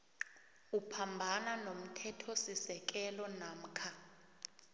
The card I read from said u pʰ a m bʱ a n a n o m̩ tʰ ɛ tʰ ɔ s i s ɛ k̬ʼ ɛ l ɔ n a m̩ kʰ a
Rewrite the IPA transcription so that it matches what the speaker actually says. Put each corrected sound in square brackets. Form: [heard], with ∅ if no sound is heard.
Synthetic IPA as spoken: u pʰ a m bʱ a n a n o m̩ tʰ ɛ tʰ ɔ s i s ɛ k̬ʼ ɛ l ɔ n a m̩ kʰ a